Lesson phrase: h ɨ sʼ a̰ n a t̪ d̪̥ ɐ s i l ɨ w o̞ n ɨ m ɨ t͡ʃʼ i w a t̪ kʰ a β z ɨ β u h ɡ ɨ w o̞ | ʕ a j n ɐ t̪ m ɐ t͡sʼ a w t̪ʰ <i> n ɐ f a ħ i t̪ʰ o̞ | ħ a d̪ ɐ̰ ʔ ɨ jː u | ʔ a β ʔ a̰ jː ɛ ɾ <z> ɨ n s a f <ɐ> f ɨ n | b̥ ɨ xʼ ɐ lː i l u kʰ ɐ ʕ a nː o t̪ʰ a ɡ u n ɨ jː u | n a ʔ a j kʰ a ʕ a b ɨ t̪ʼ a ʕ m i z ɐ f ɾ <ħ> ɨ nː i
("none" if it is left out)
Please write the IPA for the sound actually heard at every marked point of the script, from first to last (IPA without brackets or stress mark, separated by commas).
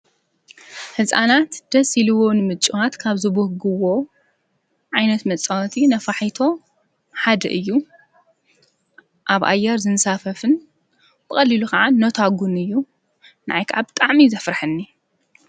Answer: i, z, ɐ, ħ